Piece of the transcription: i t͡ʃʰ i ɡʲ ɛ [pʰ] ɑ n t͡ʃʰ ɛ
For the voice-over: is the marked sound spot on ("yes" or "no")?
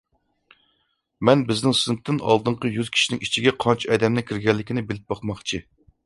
no